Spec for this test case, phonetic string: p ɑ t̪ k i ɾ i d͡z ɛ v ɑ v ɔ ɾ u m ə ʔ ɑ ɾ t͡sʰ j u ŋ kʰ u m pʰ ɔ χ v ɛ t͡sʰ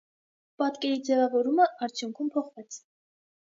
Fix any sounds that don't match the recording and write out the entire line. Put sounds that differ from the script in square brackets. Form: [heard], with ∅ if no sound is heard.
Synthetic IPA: p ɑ t̪ k [ɛ] ɾ i d͡z ɛ v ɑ v ɔ ɾ u m ə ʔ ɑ ɾ t͡sʰ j u ŋ kʰ u m pʰ ɔ χ v ɛ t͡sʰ